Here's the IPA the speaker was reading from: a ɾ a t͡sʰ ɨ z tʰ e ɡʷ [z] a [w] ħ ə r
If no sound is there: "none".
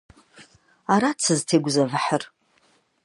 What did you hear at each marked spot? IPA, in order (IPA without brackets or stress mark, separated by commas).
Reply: z, v